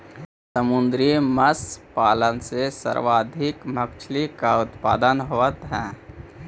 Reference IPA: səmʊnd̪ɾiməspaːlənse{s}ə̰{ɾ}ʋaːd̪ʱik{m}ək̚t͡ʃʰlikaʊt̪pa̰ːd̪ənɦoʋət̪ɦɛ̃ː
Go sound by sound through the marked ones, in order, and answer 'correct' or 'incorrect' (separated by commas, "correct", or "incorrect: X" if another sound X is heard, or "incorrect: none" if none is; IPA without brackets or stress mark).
correct, correct, correct